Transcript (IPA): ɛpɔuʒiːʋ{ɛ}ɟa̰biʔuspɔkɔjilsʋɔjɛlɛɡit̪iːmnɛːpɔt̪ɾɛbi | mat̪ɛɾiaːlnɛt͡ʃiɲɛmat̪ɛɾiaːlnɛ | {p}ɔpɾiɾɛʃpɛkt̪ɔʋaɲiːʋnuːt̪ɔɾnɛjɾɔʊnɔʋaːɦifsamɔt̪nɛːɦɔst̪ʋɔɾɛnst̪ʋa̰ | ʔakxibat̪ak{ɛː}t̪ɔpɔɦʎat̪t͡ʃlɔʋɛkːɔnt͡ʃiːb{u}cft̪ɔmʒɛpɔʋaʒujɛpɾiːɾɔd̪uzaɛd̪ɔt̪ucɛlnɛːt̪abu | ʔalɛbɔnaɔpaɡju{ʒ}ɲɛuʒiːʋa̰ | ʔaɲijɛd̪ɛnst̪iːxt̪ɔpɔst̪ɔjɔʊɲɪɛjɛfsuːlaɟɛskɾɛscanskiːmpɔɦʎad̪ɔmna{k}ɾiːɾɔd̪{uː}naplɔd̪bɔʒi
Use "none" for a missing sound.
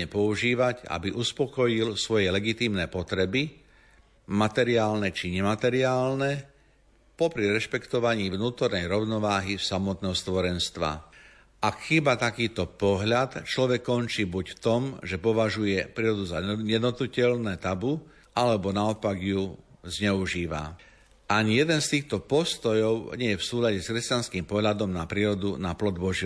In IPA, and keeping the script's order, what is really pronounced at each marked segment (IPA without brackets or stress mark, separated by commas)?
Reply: a, p, iː, u, z, p, u